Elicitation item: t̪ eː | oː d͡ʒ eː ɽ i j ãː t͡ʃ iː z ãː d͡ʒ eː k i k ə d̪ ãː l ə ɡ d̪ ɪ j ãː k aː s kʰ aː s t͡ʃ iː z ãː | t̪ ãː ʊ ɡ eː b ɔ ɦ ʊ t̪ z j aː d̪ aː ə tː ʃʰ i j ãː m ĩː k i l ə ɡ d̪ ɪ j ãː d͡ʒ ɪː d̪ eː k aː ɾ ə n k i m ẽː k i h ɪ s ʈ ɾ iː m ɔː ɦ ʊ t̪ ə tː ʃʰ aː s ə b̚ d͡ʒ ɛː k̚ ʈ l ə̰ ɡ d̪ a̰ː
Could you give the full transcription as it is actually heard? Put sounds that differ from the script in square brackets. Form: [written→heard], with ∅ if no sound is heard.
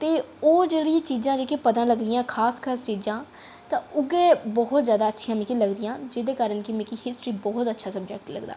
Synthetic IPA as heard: t̪ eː | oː d͡ʒ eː ɽ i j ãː t͡ʃ iː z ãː d͡ʒ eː k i [k→p] ə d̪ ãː l ə ɡ d̪ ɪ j ãː [k→kʰ] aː s kʰ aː s t͡ʃ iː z ãː | t̪ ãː ʊ ɡ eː b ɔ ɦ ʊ t̪ z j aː d̪ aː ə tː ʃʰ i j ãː m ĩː k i l ə ɡ d̪ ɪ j ãː d͡ʒ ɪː d̪ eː k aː ɾ ə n k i m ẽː k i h ɪ s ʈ ɾ iː [m→b] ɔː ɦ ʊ t̪ ə tː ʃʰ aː s ə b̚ d͡ʒ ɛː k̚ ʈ l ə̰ ɡ d̪ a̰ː